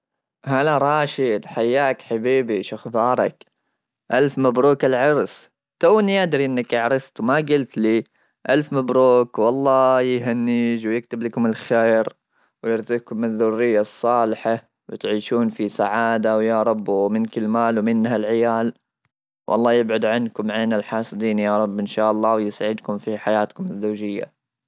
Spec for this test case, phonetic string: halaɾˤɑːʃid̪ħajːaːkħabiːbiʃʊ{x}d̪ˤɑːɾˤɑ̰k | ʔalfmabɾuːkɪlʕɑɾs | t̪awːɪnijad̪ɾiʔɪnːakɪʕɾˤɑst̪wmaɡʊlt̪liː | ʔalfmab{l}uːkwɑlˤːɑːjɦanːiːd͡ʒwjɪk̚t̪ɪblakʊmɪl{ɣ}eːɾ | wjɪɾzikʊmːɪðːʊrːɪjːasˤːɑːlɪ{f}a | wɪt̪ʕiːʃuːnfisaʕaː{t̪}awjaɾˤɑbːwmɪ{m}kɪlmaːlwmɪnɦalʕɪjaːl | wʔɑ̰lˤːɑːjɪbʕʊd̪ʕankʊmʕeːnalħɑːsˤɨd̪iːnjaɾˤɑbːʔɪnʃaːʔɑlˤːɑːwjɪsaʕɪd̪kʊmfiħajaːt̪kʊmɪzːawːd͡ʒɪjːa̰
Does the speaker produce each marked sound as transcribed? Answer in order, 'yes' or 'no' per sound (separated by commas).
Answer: yes, no, no, no, no, no